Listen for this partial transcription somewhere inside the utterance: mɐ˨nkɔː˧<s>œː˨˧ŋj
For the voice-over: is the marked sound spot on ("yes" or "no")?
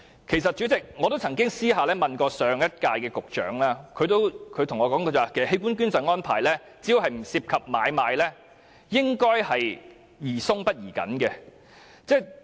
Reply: yes